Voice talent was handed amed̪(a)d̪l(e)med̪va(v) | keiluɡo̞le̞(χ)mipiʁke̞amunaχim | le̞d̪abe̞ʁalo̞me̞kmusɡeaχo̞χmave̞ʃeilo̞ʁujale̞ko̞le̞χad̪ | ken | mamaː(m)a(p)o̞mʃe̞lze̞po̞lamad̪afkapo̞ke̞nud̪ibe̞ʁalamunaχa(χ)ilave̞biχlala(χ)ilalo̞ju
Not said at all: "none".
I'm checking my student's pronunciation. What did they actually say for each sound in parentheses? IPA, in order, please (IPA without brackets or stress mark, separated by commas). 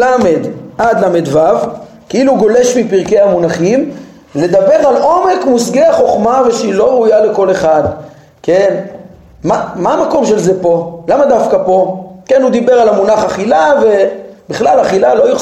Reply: a, a, v, ʃ, m, k, χ, χ